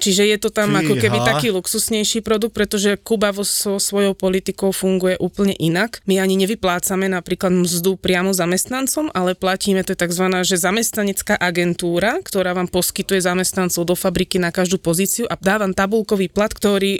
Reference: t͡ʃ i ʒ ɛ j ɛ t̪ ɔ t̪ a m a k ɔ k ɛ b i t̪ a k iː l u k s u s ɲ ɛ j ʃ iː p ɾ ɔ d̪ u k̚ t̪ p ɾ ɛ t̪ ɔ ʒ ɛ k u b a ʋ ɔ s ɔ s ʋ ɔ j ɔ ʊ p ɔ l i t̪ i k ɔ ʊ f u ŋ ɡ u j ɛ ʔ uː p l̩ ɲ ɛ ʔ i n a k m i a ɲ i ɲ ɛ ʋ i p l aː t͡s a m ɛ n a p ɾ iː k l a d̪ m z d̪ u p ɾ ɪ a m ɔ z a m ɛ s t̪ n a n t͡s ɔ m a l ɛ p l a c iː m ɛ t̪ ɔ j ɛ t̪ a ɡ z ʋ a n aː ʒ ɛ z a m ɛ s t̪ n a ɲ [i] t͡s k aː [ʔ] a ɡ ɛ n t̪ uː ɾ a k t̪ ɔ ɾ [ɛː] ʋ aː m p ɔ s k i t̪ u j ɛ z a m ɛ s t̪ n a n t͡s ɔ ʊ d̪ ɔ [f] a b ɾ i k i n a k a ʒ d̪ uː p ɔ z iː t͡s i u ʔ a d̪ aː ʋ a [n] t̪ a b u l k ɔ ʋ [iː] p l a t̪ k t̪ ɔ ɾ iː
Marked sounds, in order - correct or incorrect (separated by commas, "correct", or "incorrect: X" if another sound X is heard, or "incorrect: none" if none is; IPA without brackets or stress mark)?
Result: incorrect: ɛ, correct, incorrect: aː, correct, incorrect: m, correct